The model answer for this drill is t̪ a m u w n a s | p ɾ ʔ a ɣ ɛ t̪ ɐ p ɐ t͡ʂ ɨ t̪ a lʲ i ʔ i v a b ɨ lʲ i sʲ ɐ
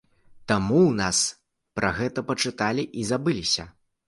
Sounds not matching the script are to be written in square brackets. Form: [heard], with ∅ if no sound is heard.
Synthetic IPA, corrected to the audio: t̪ a m u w n a s | p ɾ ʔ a ɣ ɛ t̪ ɐ p ɐ t͡ʂ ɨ t̪ a lʲ i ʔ i [z] a b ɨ lʲ i sʲ ɐ